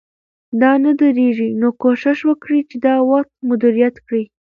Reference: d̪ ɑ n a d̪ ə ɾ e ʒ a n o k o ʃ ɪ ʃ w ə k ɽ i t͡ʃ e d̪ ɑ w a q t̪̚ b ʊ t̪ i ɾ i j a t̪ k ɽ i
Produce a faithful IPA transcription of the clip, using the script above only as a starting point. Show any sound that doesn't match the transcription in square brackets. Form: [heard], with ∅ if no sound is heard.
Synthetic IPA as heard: d̪ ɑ n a d̪ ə ɾ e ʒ [i] n o k o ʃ ɪ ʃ w ə k ɽ i t͡ʃ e d̪ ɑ w a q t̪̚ [m] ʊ [d̪] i ɾ i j a t̪ k ɽ i